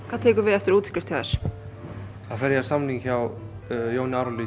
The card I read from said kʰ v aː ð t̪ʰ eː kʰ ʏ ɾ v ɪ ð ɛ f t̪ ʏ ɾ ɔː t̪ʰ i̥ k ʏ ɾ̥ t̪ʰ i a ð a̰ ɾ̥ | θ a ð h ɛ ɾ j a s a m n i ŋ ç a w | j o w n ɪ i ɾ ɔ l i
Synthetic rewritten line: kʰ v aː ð t̪ʰ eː k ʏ ɾ v ɪ ð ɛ f t̪ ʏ ɾ uː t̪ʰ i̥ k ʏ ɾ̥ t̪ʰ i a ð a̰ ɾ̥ | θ a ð f ɛ ɾ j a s a m n i ŋ ç a w | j o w n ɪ a ɾ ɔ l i